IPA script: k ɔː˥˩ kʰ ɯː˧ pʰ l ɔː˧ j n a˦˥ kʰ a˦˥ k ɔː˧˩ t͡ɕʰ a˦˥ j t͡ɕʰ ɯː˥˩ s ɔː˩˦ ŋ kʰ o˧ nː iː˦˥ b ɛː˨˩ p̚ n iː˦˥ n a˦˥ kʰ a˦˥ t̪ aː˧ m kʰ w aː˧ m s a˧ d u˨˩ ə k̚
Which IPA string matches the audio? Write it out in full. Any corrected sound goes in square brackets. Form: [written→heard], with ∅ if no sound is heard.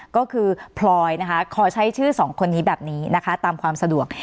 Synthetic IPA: k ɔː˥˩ kʰ ɯː˧ pʰ l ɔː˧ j n a˦˥ kʰ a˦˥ [k→kʰ] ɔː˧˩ t͡ɕʰ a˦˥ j t͡ɕʰ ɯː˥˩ s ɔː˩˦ ŋ kʰ o˧ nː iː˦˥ b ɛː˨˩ p̚ n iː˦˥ n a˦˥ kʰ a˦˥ t̪ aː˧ m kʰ w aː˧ m s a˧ d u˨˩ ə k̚